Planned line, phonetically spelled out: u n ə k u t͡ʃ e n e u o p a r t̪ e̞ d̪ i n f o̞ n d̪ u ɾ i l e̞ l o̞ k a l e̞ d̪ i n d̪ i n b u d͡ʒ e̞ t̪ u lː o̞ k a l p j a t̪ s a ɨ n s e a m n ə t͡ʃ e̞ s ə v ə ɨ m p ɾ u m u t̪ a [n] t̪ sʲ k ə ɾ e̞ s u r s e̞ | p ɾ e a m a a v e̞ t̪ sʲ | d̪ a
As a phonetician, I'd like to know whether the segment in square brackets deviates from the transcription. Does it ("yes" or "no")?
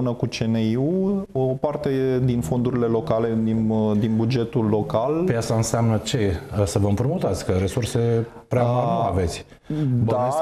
yes